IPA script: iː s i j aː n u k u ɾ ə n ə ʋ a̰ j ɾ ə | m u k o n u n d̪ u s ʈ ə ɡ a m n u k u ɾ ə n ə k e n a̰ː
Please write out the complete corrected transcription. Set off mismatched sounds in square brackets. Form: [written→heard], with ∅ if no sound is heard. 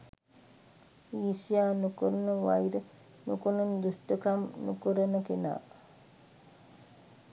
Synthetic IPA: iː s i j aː n u k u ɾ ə n ə ʋ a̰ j ɾ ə | [m→n] u k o n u n d̪ u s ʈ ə [ɡ→k] a m n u k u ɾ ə n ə k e n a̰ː